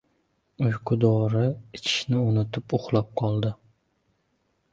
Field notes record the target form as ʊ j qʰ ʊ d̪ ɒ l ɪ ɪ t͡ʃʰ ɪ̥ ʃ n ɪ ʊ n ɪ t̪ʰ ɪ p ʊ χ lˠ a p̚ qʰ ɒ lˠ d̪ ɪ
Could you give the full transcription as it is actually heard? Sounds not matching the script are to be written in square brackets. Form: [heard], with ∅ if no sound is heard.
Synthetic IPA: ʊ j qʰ ʊ d̪ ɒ [ɾ] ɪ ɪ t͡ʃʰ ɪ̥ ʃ n ɪ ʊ n ɪ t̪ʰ ɪ p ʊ χ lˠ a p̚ qʰ ɒ lˠ d̪ ɪ